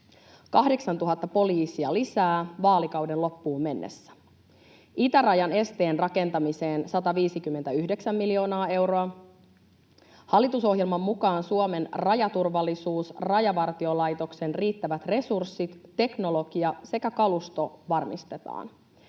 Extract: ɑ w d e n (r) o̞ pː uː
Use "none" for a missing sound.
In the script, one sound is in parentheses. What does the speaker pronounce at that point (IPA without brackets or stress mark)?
l